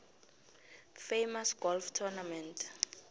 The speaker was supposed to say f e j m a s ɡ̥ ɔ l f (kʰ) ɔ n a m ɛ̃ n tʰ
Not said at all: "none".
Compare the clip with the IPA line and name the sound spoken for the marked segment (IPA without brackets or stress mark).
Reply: tʰ